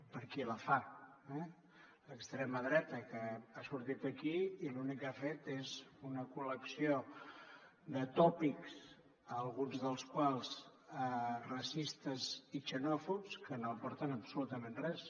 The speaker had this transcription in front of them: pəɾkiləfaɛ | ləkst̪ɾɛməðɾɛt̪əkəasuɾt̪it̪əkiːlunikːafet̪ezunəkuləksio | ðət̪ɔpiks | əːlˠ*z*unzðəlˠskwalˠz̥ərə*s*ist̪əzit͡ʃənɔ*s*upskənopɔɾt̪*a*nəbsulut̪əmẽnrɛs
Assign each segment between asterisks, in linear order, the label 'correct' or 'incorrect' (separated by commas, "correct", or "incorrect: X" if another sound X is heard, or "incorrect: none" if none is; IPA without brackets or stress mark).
incorrect: ɣ, correct, incorrect: f, incorrect: ə